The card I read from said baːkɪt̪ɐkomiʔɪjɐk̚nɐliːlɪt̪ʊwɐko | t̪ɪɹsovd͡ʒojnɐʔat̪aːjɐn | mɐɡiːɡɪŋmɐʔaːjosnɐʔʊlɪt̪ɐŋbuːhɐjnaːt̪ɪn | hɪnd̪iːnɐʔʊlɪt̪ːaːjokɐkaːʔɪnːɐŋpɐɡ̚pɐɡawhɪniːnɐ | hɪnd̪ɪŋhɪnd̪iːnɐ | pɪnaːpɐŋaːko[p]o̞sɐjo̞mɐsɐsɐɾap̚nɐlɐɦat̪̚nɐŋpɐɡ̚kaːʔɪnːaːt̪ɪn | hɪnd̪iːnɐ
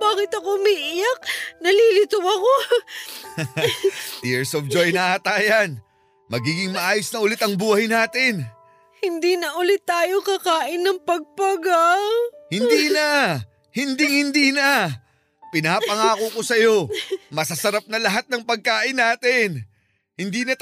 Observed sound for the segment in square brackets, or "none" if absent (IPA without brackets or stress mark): k